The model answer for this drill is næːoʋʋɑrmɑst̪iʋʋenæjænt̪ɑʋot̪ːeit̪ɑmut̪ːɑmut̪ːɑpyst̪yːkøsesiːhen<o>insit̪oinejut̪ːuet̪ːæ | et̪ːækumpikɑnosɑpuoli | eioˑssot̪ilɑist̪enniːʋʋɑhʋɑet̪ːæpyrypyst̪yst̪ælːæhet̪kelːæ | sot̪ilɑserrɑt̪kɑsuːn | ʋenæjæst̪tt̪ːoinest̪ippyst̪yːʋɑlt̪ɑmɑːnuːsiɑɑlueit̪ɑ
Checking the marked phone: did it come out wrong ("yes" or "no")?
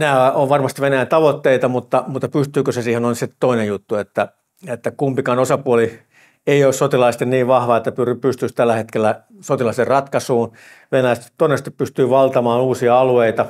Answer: no